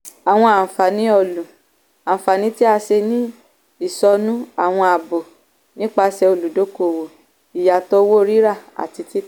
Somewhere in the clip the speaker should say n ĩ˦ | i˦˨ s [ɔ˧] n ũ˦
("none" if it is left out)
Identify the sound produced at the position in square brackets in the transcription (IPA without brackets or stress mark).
ɔ˧